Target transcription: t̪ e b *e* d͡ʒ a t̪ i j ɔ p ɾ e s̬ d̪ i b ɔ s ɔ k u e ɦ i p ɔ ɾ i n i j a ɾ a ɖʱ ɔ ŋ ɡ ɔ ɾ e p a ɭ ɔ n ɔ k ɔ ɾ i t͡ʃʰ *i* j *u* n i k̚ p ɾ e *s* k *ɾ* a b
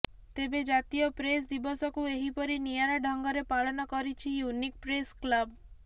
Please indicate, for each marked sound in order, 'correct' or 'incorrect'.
correct, correct, correct, correct, incorrect: l

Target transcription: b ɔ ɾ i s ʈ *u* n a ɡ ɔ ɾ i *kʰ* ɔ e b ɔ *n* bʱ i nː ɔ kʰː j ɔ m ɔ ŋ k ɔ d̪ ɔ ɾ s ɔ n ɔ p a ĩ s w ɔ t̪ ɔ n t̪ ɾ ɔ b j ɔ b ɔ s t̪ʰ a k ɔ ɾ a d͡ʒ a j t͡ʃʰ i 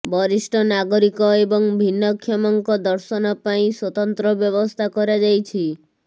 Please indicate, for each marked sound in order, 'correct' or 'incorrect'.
incorrect: ɔ, incorrect: k, incorrect: ŋ

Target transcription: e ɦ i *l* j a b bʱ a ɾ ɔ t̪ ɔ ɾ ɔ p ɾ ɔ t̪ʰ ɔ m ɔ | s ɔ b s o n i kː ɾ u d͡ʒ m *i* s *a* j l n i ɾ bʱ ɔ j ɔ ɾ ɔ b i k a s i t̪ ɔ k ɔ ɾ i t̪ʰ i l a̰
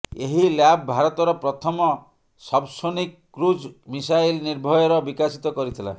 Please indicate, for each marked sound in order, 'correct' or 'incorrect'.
correct, correct, correct

